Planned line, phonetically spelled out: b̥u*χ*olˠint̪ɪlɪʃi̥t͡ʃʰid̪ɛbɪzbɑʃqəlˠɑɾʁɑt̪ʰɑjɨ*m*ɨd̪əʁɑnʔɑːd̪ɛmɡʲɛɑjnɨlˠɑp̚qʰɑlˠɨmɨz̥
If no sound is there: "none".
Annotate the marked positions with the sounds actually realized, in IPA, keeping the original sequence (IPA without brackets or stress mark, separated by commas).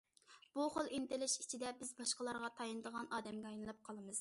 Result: χ, n